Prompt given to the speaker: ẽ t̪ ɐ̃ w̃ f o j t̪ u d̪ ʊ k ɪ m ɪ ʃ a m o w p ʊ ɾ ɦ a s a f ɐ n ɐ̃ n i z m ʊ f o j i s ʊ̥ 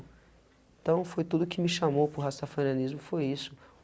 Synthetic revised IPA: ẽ t̪ ɐ̃ w̃ f o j t̪ u d̪ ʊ k ɪ m ɪ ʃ a m o w p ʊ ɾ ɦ a s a f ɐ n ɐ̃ n i z m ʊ f o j i s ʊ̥